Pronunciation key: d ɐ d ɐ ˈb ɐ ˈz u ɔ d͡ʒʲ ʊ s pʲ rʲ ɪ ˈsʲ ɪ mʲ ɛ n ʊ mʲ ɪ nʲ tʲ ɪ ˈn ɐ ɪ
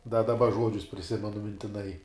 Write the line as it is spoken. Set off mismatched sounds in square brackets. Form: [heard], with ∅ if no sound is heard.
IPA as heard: d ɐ d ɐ ˈb ɐ [ˈʒ] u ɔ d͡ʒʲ ʊ s pʲ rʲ ɪ ˈsʲ ɪ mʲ ɛ n ʊ mʲ ɪ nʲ tʲ ɪ ˈn ɐ ɪ